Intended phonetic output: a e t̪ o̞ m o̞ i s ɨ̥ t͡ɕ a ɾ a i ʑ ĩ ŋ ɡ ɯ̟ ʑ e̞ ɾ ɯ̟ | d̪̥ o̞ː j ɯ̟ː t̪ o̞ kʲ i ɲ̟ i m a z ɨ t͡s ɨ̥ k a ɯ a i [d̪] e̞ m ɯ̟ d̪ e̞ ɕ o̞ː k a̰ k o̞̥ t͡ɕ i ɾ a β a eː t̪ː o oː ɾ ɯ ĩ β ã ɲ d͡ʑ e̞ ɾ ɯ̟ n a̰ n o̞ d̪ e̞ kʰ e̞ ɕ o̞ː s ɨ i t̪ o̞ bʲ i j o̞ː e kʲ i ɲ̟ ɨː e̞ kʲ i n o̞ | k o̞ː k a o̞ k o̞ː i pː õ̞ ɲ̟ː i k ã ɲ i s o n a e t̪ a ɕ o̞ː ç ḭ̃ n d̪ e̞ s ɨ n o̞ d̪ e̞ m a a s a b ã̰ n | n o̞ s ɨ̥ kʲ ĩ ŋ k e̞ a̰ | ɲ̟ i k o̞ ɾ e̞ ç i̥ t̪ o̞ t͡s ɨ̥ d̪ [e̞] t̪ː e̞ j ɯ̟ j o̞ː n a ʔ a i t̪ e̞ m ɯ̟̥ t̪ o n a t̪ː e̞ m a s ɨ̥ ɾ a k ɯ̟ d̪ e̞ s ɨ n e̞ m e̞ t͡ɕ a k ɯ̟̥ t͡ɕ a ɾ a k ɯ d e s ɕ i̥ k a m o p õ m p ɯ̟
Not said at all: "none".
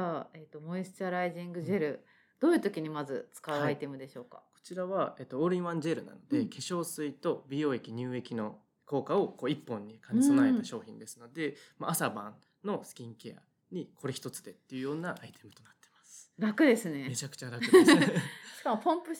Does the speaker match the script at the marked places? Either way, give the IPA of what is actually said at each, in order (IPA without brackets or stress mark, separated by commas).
t̪, e̞